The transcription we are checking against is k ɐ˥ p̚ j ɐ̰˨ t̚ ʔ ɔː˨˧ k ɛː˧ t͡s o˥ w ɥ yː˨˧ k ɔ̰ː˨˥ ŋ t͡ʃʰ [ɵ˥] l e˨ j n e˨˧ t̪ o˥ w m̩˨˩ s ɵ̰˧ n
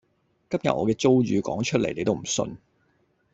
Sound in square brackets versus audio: correct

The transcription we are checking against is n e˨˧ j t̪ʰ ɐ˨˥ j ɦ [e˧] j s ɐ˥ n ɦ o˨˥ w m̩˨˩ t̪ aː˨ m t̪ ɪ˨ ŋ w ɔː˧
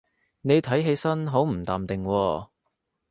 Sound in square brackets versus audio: correct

